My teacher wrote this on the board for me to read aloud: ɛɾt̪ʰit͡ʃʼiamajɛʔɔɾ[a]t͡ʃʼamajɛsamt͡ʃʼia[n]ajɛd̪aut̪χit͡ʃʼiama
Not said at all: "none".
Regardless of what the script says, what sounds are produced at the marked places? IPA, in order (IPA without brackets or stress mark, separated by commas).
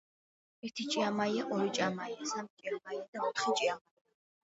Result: i, m